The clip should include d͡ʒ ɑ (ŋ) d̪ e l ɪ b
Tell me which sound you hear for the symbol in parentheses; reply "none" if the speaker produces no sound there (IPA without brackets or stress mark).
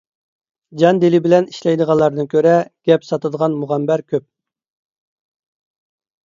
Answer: n